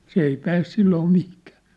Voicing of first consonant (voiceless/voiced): voiceless